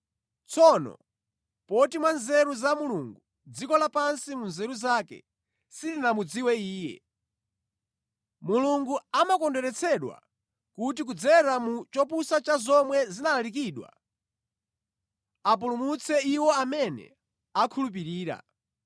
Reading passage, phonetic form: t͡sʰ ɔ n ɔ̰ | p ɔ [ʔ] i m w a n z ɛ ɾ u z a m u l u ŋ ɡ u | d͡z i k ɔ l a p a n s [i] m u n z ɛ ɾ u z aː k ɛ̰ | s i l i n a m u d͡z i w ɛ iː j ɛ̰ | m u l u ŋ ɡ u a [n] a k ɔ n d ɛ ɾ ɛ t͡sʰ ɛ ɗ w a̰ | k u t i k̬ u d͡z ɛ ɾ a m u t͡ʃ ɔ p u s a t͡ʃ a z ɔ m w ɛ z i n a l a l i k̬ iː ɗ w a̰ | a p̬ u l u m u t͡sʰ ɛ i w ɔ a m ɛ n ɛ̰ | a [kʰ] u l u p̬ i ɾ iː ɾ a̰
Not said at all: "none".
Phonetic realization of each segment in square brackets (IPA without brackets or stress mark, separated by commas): t, i, m, kʰ